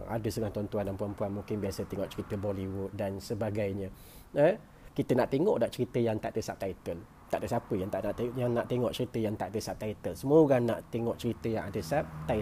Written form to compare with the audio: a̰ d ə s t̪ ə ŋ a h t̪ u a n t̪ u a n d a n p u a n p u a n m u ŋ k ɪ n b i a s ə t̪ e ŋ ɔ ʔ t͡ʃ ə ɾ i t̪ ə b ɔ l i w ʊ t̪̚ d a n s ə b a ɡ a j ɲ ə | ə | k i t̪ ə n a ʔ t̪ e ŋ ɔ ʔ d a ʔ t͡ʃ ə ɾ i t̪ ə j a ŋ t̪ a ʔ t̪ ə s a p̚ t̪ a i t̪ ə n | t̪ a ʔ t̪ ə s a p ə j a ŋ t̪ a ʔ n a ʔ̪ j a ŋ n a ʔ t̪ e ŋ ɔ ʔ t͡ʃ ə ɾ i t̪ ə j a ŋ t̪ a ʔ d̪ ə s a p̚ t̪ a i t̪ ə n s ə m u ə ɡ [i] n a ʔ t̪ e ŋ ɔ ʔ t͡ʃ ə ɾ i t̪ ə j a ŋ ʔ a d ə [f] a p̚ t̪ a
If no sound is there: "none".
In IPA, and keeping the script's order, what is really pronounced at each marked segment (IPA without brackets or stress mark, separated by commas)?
a, s